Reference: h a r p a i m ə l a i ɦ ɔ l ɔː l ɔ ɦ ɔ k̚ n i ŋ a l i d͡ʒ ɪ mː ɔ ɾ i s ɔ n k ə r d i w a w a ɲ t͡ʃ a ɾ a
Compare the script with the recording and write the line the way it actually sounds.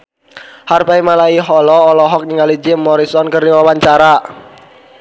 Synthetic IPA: h a r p a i m a l a i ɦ ɔ l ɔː l ɔ ɦ ɔ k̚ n i ŋ a l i d͡ʒ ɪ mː ɔ ɾ i s ɔ n k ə r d i w a w a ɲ t͡ʃ a ɾ a

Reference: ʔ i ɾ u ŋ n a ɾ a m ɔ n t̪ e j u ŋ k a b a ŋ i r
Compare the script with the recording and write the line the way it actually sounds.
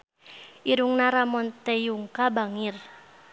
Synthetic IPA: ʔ i ɾ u ŋ n a ɾ a m ɔ n t̪ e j u ŋ k a b a ŋ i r

